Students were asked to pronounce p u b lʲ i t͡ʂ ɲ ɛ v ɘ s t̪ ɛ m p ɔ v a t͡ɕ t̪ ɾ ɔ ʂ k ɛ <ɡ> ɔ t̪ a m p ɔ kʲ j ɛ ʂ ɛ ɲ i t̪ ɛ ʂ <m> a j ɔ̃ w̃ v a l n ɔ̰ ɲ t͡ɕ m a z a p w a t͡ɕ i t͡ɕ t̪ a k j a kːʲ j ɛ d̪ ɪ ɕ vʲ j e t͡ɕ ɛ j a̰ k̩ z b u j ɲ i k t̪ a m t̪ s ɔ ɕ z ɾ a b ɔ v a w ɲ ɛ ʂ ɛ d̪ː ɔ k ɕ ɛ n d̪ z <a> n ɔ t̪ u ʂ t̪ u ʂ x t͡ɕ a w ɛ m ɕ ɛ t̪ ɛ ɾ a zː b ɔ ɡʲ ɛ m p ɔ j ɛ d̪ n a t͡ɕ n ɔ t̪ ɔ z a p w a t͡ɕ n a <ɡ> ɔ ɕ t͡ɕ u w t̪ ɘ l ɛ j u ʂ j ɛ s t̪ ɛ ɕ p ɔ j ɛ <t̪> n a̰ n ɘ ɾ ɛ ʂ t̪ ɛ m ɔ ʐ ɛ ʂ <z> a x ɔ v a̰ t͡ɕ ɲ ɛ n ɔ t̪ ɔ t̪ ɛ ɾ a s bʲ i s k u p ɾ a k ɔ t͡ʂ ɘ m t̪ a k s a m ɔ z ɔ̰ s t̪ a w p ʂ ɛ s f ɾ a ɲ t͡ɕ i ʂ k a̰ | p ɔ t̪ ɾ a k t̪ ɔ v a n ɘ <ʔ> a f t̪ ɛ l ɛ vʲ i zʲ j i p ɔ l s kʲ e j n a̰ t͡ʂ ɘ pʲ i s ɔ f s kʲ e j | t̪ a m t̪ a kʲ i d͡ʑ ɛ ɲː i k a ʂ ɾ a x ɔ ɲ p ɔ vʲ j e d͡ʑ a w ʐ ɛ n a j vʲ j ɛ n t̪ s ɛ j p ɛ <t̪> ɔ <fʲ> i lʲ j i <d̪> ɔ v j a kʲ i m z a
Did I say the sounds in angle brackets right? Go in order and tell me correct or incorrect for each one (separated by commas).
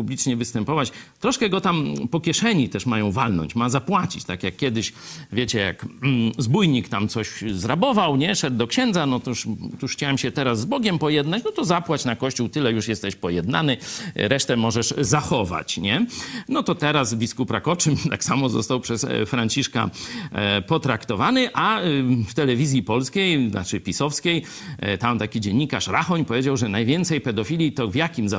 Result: correct, correct, correct, incorrect, incorrect, correct, correct, incorrect, correct, incorrect